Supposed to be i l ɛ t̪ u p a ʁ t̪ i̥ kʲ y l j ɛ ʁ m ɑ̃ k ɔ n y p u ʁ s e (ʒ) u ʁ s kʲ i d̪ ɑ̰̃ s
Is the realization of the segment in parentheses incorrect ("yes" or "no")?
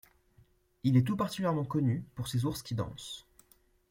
yes